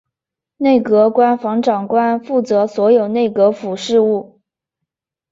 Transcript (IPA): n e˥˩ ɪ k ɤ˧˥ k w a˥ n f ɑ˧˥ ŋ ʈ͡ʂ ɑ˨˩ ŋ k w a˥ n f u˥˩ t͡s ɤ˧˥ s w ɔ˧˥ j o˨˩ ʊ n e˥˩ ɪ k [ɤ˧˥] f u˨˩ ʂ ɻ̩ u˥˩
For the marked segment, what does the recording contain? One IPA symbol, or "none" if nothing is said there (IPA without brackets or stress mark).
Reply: ɤ˧˥